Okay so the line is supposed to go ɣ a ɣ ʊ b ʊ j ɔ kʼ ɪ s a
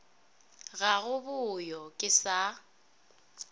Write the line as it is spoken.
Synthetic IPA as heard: ɣ a ɣ ʊ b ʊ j ɔ kʼ ɪ s a